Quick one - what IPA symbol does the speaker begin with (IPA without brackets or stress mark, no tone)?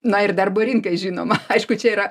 n